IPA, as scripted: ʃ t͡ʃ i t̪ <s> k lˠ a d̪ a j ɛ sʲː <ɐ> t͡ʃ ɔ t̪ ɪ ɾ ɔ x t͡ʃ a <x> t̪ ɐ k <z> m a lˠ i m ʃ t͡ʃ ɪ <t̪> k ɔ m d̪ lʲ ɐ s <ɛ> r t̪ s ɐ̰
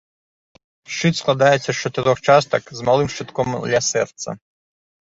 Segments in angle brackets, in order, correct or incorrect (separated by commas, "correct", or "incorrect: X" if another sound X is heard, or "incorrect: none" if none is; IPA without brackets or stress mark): correct, correct, incorrect: s, correct, correct, correct